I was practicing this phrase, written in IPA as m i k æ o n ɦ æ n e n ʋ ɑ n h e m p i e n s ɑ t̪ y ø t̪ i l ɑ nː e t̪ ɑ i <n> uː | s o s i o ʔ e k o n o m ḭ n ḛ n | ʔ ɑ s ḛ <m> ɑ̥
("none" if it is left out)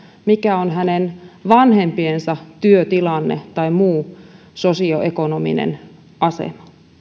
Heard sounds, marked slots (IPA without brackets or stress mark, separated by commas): m, m